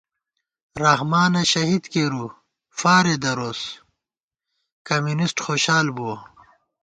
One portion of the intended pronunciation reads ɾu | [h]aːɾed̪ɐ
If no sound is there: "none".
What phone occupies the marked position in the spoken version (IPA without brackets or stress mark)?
f